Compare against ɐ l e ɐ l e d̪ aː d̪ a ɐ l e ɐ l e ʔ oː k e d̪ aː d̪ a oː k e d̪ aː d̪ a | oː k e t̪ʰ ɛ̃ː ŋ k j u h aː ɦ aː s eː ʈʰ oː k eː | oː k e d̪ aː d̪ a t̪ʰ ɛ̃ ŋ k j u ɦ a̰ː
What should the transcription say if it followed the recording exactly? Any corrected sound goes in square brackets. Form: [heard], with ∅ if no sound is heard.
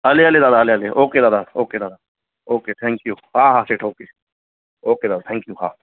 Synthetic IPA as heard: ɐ l e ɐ l e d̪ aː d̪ a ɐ l e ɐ l e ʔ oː k e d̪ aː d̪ a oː k e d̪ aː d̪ a | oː k e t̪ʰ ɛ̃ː ŋ k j u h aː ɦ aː s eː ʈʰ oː k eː | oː k e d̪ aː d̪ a t̪ʰ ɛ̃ ŋ k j u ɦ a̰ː

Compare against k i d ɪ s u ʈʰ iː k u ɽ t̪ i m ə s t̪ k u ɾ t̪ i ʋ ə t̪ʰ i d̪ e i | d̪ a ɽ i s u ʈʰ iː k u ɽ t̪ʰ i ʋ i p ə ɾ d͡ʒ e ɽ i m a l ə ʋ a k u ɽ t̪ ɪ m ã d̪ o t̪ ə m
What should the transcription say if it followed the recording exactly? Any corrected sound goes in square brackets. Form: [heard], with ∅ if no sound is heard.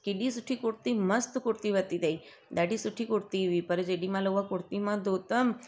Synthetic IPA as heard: k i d [i] s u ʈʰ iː k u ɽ t̪ i m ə s t̪ k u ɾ t̪ i ʋ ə [t̪] i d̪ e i | d̪ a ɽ i s u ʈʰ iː k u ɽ [t̪] i ʋ i p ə ɾ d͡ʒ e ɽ i m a l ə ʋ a k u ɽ t̪ [i] m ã d̪ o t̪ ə m

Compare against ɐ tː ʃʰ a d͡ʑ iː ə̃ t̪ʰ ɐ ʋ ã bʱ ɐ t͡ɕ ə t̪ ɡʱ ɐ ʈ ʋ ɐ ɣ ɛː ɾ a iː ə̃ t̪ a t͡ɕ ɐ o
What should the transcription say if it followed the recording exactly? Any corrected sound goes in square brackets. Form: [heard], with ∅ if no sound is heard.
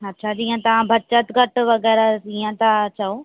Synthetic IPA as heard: ɐ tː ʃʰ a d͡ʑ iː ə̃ [t̪] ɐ ʋ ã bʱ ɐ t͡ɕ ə t̪ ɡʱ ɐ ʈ ʋ ɐ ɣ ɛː ɾ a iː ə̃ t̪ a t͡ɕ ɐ o

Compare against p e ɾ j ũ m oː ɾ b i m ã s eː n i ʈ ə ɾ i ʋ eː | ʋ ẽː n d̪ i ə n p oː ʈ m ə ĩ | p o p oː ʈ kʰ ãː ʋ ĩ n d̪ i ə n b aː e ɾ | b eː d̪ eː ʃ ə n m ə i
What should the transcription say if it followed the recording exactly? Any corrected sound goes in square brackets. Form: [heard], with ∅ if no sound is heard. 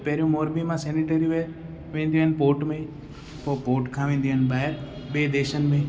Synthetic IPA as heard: p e ɾ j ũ m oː ɾ b i m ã s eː n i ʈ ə ɾ i ʋ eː | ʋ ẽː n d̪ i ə n p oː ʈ m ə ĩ | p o p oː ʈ kʰ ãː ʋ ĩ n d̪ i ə n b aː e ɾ | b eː d̪ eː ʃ ə n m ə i

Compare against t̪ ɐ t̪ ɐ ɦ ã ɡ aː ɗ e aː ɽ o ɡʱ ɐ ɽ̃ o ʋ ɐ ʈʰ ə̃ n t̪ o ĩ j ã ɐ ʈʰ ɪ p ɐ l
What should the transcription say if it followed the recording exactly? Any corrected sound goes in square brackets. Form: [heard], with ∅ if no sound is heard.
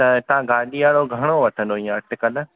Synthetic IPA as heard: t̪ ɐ t̪ ɐ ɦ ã ɡ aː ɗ [i] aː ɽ o ɡʱ ɐ ɽ̃ o ʋ ɐ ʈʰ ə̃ n [d̪] o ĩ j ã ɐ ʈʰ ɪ [k] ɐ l

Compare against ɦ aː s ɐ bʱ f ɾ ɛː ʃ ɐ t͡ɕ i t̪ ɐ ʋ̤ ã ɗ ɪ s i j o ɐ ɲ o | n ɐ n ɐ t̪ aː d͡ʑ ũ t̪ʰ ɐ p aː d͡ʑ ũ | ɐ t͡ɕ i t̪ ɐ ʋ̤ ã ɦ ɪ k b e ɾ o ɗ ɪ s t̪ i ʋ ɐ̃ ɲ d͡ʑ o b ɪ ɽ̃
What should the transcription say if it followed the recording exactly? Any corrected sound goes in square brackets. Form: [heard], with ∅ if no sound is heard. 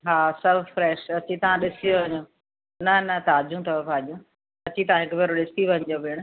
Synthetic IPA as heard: ɦ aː s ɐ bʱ f ɾ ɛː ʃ ɐ t͡ɕ i t̪ ɐ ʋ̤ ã ɗ ɪ s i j o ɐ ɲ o | n ɐ n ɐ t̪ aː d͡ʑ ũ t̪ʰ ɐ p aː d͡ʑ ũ | ɐ t͡ɕ i t̪ ɐ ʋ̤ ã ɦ ɪ k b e ɾ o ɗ ɪ s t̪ i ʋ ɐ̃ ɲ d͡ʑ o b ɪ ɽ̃

